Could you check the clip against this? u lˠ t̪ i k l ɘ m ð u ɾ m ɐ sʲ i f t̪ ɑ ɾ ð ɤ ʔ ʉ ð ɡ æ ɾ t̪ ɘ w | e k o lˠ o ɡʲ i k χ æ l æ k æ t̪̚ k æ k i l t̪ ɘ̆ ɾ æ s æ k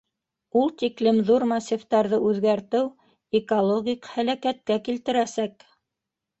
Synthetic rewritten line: u lˠ t̪ i k l ɘ m ð u ɾ m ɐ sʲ i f t̪ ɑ ɾ ð ɤ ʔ ʉ ð ɡ æ ɾ t̪ ɘ w | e k o lˠ o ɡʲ i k h æ l æ k æ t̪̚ k æ k i l t̪ ɘ̆ ɾ æ s æ k